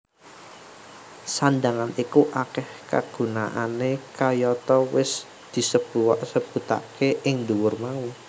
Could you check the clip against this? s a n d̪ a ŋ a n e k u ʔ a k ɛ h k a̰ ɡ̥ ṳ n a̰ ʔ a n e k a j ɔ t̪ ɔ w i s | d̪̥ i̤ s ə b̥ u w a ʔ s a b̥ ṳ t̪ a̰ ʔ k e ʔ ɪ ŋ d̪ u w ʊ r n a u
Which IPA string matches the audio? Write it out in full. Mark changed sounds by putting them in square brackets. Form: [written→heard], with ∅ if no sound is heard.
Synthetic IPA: s a n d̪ a ŋ a n [e→i] k u ʔ a k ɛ h k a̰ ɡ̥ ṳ n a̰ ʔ a n e k a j ɔ t̪ ɔ w [i→ɪ] s | d̪̥ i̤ s ə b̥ u w a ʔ s [a→ə] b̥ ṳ t̪ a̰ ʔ k e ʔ ɪ ŋ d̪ u w ʊ r [n→m] a u